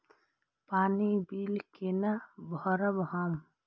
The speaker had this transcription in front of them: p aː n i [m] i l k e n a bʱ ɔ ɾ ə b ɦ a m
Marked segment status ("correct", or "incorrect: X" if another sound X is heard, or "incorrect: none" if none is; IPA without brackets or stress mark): incorrect: b